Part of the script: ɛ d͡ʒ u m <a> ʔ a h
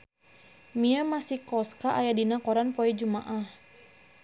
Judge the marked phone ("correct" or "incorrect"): correct